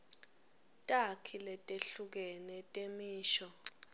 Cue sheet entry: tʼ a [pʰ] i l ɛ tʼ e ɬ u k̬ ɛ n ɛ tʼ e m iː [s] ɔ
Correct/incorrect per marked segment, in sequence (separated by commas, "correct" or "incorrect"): incorrect, incorrect